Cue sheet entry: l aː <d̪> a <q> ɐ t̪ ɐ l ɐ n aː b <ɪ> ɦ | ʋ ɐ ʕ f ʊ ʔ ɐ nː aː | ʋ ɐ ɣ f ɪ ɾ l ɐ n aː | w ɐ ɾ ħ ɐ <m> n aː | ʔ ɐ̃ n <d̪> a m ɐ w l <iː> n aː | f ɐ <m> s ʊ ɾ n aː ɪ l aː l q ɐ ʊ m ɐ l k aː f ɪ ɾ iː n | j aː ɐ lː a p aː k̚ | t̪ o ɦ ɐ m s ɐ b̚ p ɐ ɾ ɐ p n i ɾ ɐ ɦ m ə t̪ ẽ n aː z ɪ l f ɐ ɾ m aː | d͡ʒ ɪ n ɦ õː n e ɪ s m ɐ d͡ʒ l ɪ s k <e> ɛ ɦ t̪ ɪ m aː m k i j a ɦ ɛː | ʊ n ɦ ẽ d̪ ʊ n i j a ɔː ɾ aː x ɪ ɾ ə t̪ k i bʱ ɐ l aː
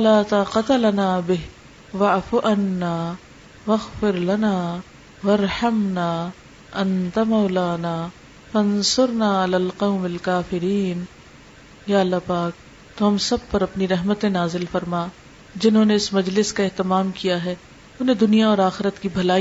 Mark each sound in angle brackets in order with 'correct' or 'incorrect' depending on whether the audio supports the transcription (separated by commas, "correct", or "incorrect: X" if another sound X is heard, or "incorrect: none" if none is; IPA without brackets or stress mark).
incorrect: t̪, correct, correct, correct, incorrect: t̪, incorrect: aː, incorrect: n, incorrect: a